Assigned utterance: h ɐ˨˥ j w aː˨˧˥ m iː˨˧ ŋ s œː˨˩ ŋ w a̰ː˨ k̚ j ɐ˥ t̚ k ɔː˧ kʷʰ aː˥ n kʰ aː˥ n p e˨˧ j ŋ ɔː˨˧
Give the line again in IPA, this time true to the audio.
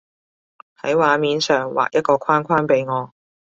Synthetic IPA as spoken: h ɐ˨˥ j w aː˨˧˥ m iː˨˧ n s œː˨˩ ŋ w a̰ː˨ k̚ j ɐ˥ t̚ k ɔː˧ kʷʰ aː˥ n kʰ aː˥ n p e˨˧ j ŋ ɔː˨˧

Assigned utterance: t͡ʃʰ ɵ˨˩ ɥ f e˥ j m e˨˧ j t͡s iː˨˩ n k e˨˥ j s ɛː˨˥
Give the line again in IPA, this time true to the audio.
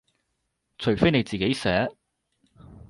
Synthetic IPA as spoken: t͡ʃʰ ɵ˨˩ ɥ f e˥ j n e˨˧ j t͡s iː˨˩ k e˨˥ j s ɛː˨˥

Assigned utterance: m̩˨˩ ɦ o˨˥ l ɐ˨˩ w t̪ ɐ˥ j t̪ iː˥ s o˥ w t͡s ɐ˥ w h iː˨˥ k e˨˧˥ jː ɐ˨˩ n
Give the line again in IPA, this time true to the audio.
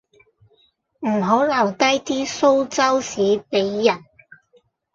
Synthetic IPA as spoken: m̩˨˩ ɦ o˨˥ l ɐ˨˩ w t̪ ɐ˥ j t̪ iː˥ s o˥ w t͡s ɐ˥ w s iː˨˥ p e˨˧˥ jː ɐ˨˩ n

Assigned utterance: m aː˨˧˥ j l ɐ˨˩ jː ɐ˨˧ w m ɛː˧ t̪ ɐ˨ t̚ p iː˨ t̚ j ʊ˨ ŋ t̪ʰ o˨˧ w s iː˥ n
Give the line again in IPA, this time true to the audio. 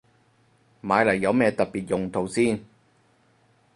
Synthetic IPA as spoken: m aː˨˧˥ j l ɐ˨˩ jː ɐ˨˧ w m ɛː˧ t̪ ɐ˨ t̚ p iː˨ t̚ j ʊ˨ ŋ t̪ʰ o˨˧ w s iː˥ n

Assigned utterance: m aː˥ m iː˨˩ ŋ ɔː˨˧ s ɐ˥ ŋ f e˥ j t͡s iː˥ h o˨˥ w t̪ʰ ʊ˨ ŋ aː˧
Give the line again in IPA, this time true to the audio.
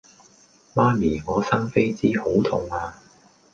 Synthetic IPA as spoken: m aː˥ m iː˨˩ ŋ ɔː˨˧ s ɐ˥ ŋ f e˥ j t͡s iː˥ h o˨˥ w t̪ʰ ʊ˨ ŋ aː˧

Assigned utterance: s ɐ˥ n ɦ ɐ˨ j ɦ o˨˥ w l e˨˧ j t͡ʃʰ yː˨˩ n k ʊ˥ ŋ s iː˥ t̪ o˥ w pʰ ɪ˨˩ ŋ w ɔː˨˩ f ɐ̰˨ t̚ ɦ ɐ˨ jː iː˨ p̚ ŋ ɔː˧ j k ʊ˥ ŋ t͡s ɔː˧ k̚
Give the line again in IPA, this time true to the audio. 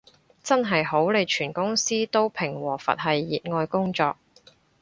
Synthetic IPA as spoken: t͡s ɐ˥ n ɦ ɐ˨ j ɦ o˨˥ w l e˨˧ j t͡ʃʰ yː˨˩ n k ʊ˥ ŋ s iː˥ t̪ o˥ w pʰ ɪ˨˩ ŋ w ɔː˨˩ f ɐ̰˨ t̚ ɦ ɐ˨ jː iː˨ t̚ ŋ ɔː˧ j k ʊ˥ ŋ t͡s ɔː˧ k̚

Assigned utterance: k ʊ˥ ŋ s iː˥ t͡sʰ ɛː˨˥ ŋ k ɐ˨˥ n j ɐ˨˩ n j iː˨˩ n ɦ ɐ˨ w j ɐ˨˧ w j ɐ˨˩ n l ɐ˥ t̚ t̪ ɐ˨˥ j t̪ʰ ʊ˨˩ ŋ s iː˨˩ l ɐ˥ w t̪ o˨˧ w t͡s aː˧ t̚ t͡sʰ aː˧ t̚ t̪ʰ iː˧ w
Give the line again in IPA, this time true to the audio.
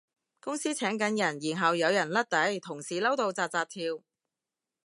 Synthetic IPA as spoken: k ʊ˥ ŋ s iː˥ t͡sʰ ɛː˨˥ ŋ k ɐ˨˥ n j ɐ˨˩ n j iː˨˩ n ɦ ɐ˨ w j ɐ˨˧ w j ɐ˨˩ n l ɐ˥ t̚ t̪ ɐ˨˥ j t̪ʰ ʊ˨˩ ŋ s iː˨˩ l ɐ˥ w t̪ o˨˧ w t͡s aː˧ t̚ t͡s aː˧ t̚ t̪ʰ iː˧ w

